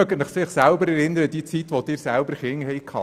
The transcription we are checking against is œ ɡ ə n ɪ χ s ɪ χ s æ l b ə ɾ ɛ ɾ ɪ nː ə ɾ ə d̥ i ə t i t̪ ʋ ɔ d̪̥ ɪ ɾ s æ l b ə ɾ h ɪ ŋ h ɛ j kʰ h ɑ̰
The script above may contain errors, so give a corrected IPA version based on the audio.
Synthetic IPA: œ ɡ ə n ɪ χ s ɪ χ s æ l b ə ɾ ɛ ɾ ɪ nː ə ɾ ə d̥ i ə t͡s i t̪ ʋ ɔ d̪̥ ɪ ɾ s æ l b ə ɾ χ ɪ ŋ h ɛ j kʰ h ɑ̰